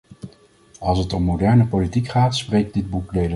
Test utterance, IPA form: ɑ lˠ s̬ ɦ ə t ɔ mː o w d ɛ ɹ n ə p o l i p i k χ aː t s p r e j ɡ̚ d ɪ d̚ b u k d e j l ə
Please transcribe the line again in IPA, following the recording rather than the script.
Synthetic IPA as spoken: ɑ lˠ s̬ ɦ ə t ɔ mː o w d ɛ ɹ n ə p o l i t i k χ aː t s p r e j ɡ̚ d ɪ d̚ b u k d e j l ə